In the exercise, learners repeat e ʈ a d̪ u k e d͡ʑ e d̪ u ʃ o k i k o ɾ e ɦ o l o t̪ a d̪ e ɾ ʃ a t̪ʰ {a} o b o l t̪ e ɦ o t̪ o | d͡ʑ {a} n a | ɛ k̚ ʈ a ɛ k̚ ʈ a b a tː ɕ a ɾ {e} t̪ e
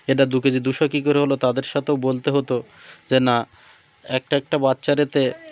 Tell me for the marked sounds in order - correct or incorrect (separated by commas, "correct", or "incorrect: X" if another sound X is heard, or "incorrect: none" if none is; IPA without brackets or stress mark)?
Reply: incorrect: e, incorrect: e, correct